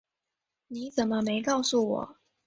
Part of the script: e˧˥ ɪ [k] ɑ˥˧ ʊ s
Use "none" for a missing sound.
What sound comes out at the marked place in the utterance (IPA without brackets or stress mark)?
k